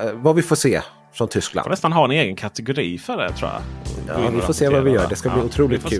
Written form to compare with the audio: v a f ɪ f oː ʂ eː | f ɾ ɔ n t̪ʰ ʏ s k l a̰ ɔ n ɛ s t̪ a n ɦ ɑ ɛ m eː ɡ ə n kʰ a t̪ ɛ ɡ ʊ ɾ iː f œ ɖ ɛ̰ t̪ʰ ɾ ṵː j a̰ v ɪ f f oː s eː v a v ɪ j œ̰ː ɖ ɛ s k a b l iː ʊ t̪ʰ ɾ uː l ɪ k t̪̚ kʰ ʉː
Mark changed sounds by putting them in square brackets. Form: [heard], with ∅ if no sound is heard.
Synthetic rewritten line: v a [v] ɪ f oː ʂ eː | f ɾ ɔ n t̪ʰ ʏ s k l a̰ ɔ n ɛ s t̪ a n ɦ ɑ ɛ [n] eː ɡ ə n kʰ a t̪ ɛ ɡ ʊ ɾ iː f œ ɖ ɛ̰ t̪ʰ ɾ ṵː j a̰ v ɪ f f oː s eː v a v ɪ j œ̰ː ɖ ɛ s k a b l iː ʊ t̪ʰ ɾ uː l ɪ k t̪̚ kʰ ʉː